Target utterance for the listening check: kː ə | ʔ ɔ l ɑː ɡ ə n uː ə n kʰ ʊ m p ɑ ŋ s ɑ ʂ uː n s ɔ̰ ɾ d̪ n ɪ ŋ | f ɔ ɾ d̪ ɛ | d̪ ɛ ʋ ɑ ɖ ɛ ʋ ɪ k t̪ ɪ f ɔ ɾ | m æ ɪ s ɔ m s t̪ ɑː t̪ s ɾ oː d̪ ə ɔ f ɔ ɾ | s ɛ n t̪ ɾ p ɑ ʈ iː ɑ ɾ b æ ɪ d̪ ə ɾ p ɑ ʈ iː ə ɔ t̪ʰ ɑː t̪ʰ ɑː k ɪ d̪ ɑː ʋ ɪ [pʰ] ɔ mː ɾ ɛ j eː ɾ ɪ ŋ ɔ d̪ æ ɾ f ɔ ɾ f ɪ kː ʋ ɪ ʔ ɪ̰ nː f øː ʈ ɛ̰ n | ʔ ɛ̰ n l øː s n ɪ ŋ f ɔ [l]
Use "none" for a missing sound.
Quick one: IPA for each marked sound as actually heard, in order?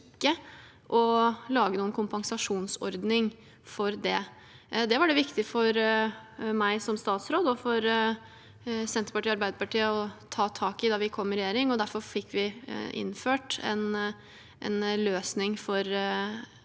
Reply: kʰ, ɾ

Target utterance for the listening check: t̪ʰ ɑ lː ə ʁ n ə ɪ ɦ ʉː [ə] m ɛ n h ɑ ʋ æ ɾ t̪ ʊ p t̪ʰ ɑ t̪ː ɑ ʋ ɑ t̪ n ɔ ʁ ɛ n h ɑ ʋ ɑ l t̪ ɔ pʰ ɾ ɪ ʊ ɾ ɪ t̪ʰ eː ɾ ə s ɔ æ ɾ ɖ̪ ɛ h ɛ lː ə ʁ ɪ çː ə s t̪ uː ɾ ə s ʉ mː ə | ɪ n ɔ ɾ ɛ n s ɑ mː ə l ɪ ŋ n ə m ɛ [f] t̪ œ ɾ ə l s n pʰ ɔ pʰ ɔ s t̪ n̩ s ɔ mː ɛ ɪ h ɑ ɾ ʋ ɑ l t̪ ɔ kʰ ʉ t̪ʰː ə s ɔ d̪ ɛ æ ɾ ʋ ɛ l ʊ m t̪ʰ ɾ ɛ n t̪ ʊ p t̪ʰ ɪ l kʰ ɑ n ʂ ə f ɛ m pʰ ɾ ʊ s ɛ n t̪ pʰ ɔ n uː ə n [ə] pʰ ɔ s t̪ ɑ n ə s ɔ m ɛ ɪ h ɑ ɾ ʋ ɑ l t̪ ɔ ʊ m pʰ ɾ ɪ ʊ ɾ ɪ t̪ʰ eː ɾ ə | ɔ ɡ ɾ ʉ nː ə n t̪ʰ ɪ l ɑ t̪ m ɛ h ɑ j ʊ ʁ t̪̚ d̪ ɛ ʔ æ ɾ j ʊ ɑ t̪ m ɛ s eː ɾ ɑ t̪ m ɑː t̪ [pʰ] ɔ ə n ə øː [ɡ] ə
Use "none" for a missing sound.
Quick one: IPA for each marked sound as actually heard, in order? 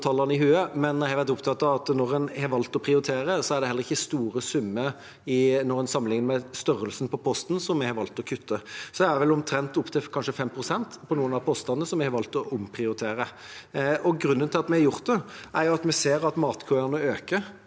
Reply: ə, s, ɑ, kʰ, k

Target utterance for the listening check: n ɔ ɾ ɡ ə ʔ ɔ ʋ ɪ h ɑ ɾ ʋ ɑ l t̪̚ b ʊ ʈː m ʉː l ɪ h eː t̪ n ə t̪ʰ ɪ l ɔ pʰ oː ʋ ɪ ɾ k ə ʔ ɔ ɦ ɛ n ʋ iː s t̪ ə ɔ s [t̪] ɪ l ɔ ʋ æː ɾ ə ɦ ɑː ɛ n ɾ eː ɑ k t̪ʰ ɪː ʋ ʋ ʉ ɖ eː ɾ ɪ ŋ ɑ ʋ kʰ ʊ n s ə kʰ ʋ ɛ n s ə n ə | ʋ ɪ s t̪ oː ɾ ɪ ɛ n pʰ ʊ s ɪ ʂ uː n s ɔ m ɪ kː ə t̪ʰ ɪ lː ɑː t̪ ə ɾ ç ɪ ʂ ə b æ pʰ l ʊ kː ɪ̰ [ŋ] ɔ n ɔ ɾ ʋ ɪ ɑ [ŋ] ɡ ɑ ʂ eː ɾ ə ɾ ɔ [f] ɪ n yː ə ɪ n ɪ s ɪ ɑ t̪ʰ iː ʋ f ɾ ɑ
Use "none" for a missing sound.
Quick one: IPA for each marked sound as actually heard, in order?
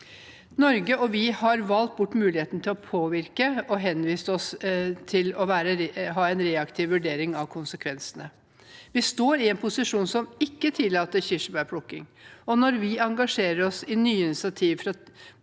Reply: t̪ʰ, ŋ, ŋ, s

